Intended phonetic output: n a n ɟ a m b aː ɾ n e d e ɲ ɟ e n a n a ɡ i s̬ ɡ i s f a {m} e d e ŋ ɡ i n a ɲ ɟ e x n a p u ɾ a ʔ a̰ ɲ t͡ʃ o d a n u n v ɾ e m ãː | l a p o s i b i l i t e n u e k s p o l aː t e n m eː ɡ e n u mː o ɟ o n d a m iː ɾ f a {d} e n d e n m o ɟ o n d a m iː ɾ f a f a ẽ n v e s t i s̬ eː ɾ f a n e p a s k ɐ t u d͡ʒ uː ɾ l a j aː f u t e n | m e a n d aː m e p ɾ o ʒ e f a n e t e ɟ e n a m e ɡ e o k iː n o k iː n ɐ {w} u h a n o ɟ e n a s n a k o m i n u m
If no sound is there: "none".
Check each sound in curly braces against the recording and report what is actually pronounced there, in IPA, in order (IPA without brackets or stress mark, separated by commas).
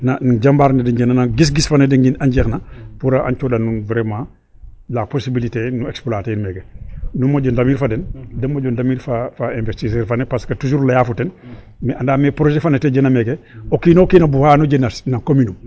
n, d, b